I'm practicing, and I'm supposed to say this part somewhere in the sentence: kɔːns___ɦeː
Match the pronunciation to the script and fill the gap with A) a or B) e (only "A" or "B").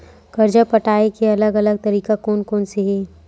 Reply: B